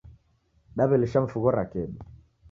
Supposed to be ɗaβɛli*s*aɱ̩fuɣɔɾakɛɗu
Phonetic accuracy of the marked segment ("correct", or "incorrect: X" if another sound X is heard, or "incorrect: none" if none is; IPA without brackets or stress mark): incorrect: ʃ